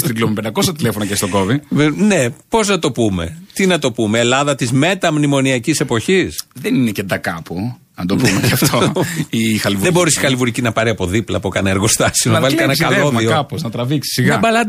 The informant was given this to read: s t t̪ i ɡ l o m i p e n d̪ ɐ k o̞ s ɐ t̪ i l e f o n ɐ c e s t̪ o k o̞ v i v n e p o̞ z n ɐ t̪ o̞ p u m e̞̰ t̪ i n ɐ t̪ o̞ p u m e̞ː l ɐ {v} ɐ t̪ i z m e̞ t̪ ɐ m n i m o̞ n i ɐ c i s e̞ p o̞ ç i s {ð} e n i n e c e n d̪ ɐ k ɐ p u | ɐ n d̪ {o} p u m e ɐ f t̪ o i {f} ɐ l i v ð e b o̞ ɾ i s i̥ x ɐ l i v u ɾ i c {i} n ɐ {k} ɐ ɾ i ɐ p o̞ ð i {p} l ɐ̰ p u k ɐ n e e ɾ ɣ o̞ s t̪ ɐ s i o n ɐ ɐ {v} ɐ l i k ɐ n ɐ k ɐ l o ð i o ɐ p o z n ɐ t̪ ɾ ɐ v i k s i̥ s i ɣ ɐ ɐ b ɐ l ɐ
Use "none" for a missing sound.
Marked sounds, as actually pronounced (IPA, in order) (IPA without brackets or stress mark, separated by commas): ð, ð, o, x, i, p, p, v